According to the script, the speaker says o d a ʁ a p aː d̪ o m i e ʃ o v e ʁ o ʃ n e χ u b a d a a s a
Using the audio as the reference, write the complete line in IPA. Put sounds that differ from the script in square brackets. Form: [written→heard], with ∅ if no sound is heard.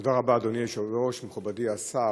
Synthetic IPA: o d a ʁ a [p→b] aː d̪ o [m→n] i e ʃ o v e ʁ o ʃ [n→m] e χ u b a d [a→i] a s a

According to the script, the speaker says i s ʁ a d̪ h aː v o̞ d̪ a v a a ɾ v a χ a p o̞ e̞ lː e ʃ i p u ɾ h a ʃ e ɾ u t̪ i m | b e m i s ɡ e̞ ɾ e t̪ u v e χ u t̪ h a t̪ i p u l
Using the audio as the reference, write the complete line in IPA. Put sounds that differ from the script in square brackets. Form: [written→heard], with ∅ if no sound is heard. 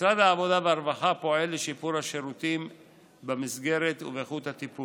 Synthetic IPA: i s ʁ a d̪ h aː v o̞ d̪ a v [a→e] a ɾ v a χ a p o̞ e̞ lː e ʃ i p u ɾ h a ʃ e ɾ u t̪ i m | b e m i s ɡ e̞ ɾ e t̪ u v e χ u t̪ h a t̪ i p u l

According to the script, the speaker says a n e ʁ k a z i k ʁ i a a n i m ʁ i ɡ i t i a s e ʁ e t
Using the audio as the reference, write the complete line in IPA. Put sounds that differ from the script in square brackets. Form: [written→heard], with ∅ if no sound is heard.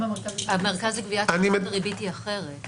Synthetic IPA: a [n→m] e ʁ k a z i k [ʁ→v] i a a n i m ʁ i [ɡ→b] i t i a [s→χ] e ʁ e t

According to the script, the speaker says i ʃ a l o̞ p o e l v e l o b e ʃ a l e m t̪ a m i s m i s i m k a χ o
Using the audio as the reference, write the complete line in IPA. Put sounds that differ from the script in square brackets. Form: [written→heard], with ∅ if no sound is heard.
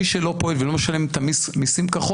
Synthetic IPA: i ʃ [a→e] l o̞ p o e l v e l o [b→m] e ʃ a l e m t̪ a m i s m i s i m k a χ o

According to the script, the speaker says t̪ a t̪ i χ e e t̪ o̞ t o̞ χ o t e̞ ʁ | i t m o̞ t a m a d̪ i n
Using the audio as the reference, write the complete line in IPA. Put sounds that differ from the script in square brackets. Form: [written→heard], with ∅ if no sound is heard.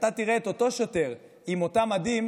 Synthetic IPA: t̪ a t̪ i [χ→ʁ] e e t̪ o̞ t o̞ [χ→ʃ] o t e̞ ʁ | i [t→∅] m o̞ t a m a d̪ i [n→m]

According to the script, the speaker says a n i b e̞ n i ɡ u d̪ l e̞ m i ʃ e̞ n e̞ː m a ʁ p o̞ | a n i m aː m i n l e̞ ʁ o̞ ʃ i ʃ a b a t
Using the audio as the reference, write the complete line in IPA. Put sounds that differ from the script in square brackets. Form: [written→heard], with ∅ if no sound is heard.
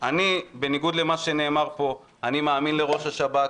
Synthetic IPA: a n i b e̞ n i ɡ u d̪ l e̞ m [i→a] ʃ e̞ n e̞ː m a ʁ p o̞ | a n i m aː m i n l e̞ ʁ o̞ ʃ [i→a] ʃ a b a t

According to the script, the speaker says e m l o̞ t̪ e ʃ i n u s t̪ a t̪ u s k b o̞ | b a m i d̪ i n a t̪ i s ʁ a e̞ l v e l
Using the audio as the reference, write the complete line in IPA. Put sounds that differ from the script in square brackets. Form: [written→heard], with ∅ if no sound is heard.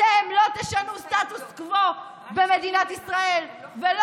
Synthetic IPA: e m l o̞ t̪ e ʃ [i→a] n u s t̪ a t̪ u s k [b→v] o̞ | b [a→e] m [i→e] d̪ i n a t̪ i s ʁ a e̞ l v e l

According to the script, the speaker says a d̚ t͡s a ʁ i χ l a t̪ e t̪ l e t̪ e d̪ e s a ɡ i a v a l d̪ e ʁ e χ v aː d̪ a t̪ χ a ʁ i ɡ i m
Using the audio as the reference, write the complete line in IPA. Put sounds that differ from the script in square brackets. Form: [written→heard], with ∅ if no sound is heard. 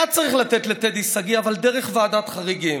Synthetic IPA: a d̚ t͡s a ʁ i χ l a t̪ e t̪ l e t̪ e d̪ [e→i] s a ɡ i a v a l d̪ e ʁ e χ v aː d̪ a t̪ χ a ʁ i ɡ i m

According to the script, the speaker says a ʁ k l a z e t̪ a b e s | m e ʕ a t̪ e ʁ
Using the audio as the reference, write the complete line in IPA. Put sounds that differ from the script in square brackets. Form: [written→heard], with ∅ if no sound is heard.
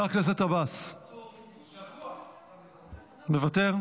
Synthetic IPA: a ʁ k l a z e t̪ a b [e→a] s | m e [ʕ→v] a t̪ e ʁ

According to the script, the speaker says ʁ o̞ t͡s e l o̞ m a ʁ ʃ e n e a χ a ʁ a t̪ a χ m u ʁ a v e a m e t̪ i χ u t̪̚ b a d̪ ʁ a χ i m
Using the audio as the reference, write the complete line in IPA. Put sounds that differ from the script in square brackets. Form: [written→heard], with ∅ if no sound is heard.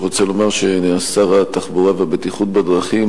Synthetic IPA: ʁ o̞ t͡s e l o̞ m a ʁ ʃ e n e a [χ→s] a ʁ a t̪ a χ [m→b] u ʁ a v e a [m→b] e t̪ i χ u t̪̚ b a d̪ ʁ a χ i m

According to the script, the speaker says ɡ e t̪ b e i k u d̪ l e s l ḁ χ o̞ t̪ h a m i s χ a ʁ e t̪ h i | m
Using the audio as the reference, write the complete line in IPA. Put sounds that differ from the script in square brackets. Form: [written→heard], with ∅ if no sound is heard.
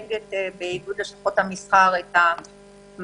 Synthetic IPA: ɡ e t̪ b e i [k→ɡ] u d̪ l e [s→ʃ] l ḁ χ o̞ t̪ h a m i s χ a ʁ e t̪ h [i→a] | m

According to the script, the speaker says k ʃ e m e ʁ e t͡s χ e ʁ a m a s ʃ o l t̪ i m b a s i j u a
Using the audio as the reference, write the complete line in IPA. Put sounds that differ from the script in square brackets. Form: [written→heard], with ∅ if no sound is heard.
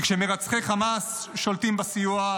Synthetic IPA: k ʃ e m e ʁ [e→a] t͡s χ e [ʁ→χ] a m a s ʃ o l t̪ i m b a s i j u a

